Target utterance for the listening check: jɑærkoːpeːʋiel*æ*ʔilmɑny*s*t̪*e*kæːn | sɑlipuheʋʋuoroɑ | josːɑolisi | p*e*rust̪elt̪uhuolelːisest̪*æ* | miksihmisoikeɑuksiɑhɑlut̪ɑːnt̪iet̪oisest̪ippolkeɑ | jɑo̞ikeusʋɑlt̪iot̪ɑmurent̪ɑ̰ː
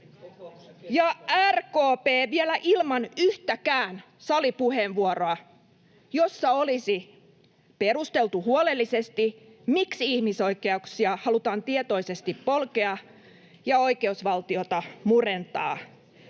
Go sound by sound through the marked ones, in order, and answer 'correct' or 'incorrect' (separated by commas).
correct, incorrect, incorrect, correct, incorrect